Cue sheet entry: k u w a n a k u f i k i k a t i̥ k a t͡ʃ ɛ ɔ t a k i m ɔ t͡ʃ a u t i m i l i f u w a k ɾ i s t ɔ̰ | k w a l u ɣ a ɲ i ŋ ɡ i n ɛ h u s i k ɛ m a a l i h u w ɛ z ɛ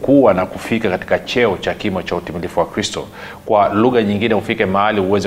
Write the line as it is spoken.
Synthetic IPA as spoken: k u w a n a k u f i k a k a t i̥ k a t͡ʃ ɛ ɔ t͡ʃ a k i m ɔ t͡ʃ a u t i m i l i f u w a k ɾ i s t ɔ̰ | k w a l u ɣ a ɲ i ŋ ɡ i n ɛ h u f i k ɛ m a a l i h u w ɛ z ɛ